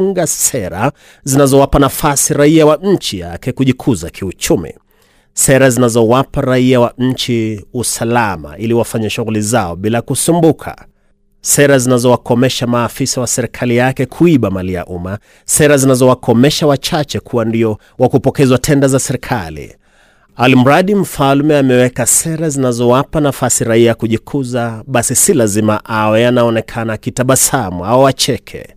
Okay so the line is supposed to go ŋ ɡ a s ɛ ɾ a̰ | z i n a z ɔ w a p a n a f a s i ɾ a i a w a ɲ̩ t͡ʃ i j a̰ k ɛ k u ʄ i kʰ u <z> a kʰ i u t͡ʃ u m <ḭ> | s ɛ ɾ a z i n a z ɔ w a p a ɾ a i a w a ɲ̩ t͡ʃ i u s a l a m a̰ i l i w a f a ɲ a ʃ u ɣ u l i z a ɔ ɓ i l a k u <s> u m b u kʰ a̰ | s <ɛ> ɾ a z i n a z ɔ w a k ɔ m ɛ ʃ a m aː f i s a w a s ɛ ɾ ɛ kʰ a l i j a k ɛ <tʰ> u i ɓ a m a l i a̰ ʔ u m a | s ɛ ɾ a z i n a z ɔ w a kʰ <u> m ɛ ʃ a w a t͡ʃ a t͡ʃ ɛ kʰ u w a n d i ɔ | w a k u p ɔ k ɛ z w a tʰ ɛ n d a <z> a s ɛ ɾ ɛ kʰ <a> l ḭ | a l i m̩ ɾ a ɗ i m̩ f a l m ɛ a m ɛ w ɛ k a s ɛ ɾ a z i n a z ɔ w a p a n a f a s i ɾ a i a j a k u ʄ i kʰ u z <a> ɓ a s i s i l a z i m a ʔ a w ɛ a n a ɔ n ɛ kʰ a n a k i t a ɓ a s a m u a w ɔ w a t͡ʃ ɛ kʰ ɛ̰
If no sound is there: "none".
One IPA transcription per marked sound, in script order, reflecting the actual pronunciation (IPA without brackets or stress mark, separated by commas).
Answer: z, ḭ, s, ɛ, kʰ, ɔ, z, a, a